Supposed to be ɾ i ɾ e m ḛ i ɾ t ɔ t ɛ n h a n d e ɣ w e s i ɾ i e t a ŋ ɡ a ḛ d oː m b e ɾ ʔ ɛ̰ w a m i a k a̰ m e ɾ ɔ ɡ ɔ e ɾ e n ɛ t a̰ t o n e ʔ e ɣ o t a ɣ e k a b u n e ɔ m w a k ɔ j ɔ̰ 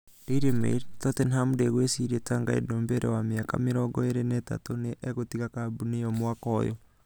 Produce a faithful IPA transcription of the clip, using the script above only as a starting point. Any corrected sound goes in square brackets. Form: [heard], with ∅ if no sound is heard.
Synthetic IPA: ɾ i ɾ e m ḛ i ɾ t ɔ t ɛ n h a [m] d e ɣ w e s i ɾ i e t a ŋ ɡ a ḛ d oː m b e ɾ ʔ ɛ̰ w a m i a k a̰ m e ɾ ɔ ɡ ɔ e ɾ e n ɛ t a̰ t o n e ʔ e ɣ o t [i] ɣ [a] k a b u n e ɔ m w a k ɔ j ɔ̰